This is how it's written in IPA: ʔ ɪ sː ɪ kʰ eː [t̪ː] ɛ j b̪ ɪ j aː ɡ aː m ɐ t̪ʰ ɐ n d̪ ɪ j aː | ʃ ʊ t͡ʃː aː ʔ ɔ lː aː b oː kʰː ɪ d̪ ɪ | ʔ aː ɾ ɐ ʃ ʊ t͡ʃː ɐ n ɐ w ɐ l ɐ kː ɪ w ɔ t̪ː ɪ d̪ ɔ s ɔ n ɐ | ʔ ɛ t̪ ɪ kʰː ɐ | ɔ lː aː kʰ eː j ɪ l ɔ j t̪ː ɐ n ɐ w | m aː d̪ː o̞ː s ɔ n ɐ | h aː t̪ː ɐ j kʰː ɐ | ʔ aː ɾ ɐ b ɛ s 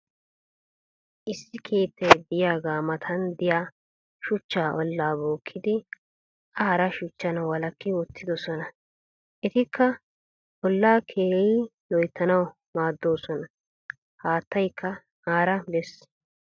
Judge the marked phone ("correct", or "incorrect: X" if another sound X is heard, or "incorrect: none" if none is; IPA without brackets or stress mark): correct